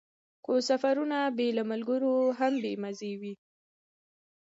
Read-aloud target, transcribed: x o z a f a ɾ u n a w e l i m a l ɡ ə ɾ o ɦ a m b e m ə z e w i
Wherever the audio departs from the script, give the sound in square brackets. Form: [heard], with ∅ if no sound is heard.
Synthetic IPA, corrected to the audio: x o [s] a f a ɾ u n a [b] e l [a] m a l ɡ ə ɾ o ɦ a m b e m [a] z e w i